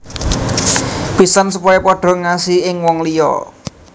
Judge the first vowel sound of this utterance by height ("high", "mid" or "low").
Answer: high